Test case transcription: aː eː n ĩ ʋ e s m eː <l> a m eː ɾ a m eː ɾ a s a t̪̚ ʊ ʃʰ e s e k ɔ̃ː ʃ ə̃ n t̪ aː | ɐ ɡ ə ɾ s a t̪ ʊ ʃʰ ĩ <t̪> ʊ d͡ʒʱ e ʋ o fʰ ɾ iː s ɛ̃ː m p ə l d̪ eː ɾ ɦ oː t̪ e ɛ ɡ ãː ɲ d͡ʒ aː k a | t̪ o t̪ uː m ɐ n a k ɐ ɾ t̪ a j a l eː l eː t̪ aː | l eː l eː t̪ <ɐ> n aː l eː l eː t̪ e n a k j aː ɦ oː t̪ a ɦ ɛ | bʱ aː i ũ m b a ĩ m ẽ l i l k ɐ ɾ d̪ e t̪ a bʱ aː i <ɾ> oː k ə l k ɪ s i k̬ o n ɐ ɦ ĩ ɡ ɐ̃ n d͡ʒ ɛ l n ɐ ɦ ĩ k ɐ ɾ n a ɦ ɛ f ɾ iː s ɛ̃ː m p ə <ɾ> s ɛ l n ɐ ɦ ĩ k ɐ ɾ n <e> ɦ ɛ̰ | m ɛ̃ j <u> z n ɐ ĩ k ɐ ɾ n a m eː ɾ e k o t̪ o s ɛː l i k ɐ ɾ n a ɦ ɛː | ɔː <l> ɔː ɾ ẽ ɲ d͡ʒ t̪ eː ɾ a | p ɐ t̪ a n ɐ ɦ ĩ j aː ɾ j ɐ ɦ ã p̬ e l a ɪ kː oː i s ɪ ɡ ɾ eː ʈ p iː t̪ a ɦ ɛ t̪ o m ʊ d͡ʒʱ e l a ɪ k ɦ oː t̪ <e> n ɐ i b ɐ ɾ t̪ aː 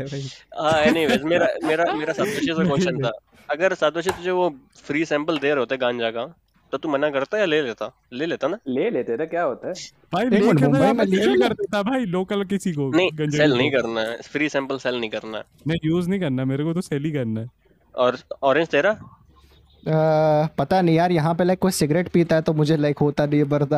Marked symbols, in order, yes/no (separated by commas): no, yes, no, no, no, no, no, no, no